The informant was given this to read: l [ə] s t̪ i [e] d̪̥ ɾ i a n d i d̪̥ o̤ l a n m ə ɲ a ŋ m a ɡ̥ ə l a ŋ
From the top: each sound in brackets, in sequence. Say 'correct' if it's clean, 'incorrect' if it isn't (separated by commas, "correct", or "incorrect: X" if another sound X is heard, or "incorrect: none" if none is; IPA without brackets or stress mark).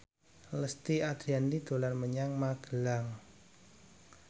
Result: correct, incorrect: a